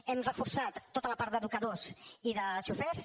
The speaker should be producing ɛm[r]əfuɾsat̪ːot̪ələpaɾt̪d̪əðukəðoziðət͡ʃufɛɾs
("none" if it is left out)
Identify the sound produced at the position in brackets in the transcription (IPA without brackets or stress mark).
r